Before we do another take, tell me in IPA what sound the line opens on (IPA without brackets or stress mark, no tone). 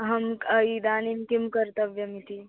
ɦ